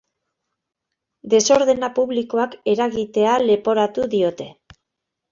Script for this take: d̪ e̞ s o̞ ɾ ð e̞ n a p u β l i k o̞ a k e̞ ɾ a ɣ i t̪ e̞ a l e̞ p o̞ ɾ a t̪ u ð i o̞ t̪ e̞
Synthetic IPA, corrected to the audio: d̪ e̞ s o̞ ɾ ð e̞ n a p u β l i k o̞ a k e̞ ɾ a ɣ i t̪ e̞ a l e̞ p o̞ ɾ a t̪ u ð i o̞ t̪ e̞